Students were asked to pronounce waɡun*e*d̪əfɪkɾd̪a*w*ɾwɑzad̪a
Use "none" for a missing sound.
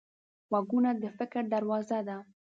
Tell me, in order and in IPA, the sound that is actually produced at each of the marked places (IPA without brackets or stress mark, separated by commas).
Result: a, none